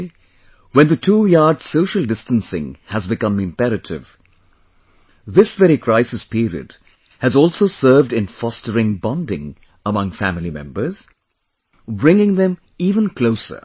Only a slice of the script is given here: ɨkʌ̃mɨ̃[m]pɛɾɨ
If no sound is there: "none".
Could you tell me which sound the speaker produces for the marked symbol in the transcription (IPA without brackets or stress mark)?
m